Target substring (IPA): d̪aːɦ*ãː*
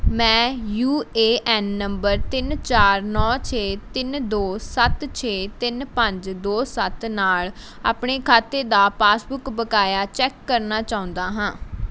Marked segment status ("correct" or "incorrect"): correct